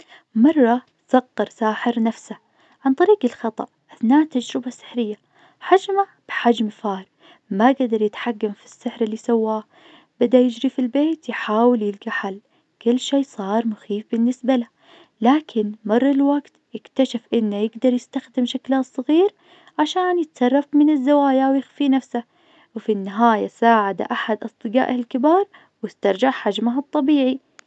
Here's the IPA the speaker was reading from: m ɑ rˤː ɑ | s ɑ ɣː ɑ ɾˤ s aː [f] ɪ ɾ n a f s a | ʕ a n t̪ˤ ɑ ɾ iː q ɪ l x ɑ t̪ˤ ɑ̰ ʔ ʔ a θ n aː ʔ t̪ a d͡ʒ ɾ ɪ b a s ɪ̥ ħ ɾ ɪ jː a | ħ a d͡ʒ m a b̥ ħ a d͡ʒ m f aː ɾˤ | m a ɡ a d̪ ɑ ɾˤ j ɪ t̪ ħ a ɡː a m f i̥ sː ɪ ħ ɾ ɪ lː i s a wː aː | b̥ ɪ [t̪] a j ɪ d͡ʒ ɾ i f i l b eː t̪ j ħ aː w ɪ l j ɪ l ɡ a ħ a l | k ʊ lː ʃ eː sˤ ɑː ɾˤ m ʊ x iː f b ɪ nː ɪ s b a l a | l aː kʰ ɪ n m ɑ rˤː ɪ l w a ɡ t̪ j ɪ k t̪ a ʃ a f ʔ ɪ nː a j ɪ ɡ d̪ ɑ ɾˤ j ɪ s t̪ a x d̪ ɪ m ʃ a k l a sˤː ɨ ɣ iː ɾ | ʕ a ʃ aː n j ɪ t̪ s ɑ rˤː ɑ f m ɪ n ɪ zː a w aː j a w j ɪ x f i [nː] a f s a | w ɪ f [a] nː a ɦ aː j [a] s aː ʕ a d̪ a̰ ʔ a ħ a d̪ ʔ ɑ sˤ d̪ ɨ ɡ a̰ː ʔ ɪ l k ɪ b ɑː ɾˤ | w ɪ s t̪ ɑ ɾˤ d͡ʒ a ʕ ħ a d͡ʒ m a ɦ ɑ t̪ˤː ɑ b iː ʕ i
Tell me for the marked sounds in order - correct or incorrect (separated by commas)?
incorrect, incorrect, incorrect, incorrect, correct